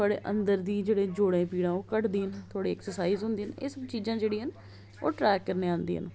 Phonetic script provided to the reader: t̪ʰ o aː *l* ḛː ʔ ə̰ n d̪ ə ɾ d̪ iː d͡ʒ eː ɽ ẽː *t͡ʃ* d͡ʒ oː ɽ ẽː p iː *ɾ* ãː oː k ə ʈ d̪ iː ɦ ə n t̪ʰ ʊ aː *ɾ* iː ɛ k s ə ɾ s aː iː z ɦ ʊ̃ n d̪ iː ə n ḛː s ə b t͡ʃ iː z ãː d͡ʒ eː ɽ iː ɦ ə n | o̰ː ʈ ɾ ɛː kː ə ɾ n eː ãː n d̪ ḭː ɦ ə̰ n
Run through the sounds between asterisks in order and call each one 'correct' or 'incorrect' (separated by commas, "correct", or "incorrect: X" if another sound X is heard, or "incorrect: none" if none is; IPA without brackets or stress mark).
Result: incorrect: ɽ, incorrect: none, incorrect: ɽ, incorrect: ɽ